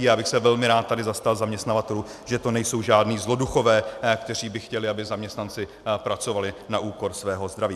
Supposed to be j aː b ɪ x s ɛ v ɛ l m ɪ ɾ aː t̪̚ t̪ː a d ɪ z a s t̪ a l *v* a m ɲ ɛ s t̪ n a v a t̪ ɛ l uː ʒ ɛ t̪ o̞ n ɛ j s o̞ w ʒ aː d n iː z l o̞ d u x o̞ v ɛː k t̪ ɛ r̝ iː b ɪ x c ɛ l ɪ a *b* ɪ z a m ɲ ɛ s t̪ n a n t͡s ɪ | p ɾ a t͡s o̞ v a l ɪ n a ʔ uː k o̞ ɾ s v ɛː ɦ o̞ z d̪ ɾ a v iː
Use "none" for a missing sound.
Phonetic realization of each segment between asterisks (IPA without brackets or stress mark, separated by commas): z, b